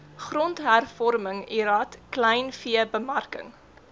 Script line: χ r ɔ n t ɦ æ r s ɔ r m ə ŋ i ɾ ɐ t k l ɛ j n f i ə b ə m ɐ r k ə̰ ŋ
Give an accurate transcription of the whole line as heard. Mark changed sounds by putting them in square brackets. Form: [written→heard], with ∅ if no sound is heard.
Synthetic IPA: χ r ɔ n t ɦ æ r [s→f] ɔ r m ə ŋ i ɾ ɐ t k l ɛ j n f i ə b ə m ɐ r k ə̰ ŋ